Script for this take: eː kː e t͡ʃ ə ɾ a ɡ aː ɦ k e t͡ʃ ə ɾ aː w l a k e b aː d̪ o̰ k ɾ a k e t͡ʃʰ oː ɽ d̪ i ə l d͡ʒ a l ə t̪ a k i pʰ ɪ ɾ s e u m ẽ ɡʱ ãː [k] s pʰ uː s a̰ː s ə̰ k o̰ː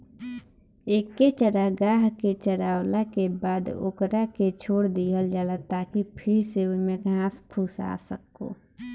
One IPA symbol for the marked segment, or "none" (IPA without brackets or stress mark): none